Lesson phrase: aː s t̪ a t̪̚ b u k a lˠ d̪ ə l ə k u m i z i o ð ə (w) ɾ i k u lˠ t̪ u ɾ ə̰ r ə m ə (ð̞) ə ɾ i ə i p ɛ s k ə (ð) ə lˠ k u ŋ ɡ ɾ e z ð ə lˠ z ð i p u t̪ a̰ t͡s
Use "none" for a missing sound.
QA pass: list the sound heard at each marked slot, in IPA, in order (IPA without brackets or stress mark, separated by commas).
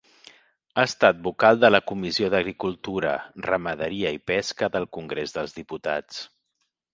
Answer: ɣ, ð̞, ð